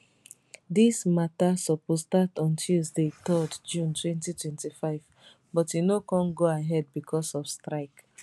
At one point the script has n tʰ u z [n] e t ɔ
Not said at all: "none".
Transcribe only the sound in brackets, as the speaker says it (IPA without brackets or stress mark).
d